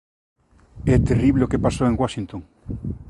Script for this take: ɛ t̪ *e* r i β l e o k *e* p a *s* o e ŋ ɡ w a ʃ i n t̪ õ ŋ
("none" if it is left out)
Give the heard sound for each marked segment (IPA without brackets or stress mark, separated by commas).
e, e, s